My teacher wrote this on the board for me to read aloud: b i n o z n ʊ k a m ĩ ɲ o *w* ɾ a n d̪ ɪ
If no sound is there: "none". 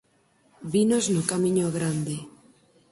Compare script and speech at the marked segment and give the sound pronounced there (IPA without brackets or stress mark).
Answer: ɣ